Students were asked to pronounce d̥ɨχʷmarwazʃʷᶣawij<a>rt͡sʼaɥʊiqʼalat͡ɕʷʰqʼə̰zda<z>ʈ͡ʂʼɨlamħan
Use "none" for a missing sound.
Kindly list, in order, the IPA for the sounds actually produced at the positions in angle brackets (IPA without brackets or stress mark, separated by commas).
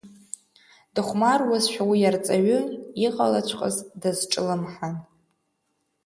a, z